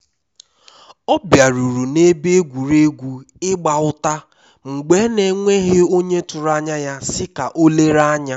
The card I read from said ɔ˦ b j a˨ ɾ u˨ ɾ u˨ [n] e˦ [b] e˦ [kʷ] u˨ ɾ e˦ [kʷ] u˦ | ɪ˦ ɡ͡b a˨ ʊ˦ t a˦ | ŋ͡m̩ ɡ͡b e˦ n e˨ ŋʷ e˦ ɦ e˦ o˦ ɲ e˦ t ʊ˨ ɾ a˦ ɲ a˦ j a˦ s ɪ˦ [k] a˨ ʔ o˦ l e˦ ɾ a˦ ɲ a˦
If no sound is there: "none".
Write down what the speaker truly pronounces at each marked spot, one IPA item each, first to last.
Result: n, b, ɡʷ, ɡʷ, k

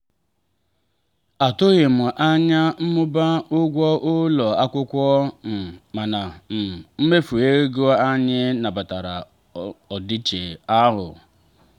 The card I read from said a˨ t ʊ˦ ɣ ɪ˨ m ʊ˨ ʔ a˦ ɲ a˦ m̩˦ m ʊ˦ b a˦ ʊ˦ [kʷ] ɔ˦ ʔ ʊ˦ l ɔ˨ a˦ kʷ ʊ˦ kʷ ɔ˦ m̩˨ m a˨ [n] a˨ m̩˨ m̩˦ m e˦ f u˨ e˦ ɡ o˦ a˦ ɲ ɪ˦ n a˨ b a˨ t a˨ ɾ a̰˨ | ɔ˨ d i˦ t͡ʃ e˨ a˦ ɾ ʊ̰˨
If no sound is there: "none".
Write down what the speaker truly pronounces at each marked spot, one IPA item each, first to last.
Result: ɡʷ, n

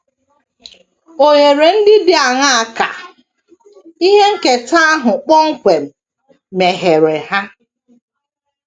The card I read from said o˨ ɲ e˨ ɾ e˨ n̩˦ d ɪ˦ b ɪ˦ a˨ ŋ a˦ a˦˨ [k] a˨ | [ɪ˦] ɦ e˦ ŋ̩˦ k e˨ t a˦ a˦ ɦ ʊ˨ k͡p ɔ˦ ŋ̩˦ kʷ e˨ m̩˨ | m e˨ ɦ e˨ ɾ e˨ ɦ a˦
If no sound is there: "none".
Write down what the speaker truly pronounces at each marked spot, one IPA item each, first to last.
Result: k, i˦

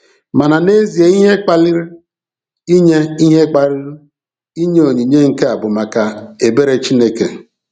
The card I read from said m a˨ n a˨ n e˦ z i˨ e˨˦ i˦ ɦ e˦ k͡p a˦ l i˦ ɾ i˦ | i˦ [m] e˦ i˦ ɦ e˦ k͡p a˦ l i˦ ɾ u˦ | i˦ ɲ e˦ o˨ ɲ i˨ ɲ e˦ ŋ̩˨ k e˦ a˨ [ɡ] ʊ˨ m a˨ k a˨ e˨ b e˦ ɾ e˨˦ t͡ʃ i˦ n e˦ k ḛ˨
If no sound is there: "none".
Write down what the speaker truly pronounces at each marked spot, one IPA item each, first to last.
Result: ɲ, b

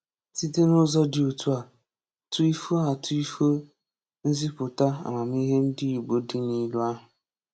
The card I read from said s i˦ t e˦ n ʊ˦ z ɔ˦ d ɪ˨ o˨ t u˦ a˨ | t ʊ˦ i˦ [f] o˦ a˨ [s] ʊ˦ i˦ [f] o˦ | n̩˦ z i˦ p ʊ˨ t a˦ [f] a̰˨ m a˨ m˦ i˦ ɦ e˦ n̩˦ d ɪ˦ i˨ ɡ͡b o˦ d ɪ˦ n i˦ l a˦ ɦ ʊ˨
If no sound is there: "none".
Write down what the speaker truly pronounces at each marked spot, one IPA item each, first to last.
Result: f, t, f, none

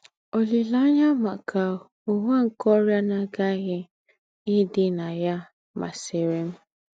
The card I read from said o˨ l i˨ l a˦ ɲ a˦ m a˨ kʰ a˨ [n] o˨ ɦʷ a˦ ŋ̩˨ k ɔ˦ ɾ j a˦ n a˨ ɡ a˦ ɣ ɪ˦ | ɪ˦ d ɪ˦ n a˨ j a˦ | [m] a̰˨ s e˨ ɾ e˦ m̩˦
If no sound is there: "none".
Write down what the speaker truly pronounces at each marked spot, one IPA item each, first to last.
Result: none, m

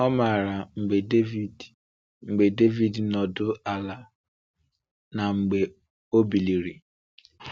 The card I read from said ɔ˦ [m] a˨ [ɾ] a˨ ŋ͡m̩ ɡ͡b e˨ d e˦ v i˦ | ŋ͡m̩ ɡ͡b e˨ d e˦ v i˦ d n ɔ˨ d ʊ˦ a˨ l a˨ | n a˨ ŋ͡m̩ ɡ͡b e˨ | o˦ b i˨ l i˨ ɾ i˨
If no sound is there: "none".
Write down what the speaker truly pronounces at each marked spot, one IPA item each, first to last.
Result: m, ɾ

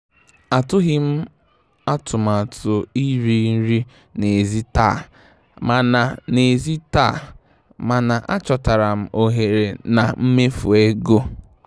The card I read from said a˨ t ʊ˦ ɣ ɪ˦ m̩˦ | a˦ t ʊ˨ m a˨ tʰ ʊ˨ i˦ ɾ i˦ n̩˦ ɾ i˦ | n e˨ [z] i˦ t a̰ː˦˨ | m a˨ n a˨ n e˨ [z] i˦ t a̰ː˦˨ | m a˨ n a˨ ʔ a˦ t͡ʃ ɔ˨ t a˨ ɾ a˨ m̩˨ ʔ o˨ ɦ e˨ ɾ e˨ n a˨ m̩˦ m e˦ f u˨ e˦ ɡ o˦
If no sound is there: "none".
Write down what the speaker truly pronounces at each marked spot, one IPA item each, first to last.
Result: z, z

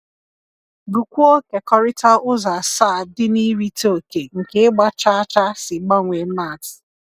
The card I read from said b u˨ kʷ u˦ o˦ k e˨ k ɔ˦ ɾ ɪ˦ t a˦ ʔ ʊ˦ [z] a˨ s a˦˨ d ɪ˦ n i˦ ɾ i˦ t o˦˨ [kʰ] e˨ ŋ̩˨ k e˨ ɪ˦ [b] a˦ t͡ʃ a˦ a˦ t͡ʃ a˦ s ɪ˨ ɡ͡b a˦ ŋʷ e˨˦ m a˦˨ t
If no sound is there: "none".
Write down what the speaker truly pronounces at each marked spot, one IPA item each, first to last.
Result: z, k, ɡ͡b

